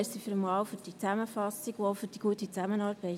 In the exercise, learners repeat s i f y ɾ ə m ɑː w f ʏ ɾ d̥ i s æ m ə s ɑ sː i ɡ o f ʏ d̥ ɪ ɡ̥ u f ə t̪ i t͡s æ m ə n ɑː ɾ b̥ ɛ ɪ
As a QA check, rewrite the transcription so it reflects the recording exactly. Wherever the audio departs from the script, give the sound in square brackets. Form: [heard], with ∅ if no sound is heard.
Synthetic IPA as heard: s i f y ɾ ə m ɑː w f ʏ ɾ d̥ i [t͡s] æ m ə [f] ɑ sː i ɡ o f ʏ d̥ [i] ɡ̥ u [∅] ə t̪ i t͡s æ m ə n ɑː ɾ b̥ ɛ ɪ

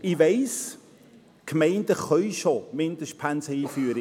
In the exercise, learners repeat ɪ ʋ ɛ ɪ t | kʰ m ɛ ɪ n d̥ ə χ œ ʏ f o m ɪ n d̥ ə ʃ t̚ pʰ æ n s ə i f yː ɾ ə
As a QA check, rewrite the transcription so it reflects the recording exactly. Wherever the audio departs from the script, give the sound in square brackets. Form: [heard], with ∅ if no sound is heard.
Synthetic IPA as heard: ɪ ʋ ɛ ɪ [s] | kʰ m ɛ ɪ n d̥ ə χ œ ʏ [ʃ] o m ɪ n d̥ ə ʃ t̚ pʰ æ n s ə [iː] f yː ɾ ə

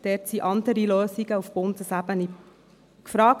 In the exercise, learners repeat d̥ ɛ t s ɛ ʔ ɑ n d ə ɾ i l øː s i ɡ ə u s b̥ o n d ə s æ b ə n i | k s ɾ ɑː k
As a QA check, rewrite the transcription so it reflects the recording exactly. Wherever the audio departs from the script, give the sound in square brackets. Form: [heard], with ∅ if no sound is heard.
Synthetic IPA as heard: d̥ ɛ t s [i] ʔ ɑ n d ə ɾ i l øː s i ɡ ə u [f] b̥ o n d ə s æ b ə n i | k [f] ɾ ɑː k

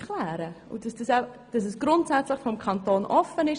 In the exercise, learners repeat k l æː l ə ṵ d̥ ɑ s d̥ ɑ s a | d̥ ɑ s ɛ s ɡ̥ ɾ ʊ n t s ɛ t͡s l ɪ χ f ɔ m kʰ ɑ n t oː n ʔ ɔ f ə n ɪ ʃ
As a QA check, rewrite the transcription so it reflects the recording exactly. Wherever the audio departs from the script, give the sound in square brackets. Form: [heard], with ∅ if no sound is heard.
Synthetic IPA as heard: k l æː [ɾ] ə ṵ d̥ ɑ s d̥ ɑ s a | d̥ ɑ s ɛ s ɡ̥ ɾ ʊ n t s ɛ t͡s l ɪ χ f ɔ m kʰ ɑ n t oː n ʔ ɔ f ə n ɪ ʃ

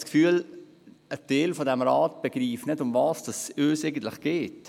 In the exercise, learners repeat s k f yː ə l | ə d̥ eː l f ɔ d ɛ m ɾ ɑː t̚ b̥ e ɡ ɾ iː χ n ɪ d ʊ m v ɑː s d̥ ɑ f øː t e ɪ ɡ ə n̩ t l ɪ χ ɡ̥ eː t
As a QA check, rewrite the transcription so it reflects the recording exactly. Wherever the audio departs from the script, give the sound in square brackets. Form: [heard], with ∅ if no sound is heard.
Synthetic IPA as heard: s k f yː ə l | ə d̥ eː l f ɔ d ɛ m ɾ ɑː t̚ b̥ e ɡ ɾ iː [f] n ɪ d ʊ m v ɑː s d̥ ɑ [s] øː [s] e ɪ ɡ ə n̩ t l ɪ χ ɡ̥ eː t

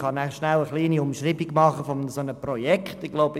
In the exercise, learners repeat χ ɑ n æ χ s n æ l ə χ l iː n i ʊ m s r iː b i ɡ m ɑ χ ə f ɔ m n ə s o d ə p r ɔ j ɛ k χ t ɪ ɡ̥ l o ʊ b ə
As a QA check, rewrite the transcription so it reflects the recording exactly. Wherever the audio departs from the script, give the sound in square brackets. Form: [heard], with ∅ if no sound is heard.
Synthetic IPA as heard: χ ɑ n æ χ [ʃ] n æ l ə χ l iː n i ʊ m [ʃ] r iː b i ɡ m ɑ χ ə f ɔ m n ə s o [n] ə p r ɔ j ɛ k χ t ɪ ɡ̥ l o ʊ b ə

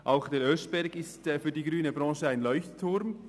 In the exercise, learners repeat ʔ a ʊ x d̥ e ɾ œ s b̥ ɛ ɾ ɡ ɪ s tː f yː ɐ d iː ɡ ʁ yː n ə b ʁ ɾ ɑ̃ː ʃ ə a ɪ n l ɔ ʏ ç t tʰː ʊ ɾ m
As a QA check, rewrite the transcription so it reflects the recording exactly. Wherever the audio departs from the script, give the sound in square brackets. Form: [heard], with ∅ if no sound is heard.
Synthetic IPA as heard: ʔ a ʊ x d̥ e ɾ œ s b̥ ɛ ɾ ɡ ɪ s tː f yː ɐ d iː ɡ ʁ yː n ə b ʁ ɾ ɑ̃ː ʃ ə a ɪ n l ɔ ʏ ç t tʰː ʊ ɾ m

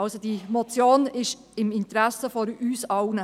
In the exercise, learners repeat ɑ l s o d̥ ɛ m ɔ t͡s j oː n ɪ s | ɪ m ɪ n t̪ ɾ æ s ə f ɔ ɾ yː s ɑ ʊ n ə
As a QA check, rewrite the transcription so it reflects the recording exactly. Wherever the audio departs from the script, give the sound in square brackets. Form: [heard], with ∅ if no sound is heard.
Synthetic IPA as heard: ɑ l s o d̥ [i] m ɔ t͡s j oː n ɪ [ʃ] | ɪ m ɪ n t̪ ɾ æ s ə f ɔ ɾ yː s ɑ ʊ n ə

